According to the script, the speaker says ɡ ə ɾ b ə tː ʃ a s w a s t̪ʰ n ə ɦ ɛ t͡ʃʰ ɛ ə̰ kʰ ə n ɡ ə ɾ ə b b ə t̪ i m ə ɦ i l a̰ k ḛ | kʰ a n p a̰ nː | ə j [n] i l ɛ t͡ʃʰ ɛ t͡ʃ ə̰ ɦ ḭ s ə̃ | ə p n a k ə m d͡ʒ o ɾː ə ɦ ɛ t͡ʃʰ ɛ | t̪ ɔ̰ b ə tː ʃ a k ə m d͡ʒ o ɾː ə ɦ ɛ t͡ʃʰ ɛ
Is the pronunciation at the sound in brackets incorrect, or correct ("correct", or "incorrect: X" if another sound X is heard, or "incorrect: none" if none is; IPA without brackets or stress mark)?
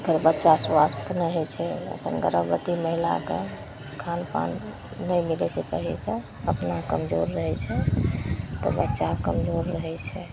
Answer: incorrect: m